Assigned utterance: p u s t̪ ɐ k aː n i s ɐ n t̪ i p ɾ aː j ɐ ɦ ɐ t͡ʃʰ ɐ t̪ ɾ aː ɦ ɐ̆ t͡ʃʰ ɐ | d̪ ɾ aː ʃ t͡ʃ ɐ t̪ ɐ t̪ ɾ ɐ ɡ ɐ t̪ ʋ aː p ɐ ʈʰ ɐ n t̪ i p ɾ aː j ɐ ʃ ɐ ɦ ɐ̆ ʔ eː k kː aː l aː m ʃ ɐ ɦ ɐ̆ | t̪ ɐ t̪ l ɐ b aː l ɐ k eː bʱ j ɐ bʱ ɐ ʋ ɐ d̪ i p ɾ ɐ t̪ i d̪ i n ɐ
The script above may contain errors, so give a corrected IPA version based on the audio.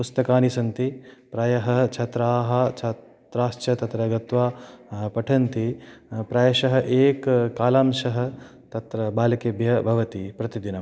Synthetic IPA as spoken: p u s t̪ ɐ k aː n i s ɐ n t̪ i p ɾ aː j ɐ ɦ ɐ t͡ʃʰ ɐ t̪ ɾ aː ɦ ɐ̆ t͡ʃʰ ɐ | t̪ ɾ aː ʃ t͡ʃ ɐ t̪ ɐ t̪ ɾ ɐ ɡ ɐ t̪ ʋ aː p ɐ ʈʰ ɐ n t̪ i p ɾ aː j ɐ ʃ ɐ ɦ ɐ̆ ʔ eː k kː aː l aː m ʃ ɐ ɦ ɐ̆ | t̪ ɐ t̪ ɾ ɐ b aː l ɐ k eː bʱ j ɐ bʱ ɐ ʋ ɐ t̪ i p ɾ ɐ t̪ i d̪ i n ɐ